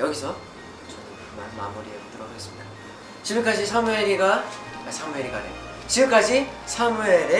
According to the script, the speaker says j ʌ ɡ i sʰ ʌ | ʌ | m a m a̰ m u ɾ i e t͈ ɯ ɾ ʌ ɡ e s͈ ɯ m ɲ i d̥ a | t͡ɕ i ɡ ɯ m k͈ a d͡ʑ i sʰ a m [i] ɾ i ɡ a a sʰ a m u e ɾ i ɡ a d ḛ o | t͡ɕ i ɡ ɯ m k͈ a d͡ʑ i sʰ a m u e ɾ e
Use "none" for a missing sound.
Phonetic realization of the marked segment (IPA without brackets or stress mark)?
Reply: e